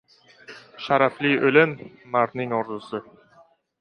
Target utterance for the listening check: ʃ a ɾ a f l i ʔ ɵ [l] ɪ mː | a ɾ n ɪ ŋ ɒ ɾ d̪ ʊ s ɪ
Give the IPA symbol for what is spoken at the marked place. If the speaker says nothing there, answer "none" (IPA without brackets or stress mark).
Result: l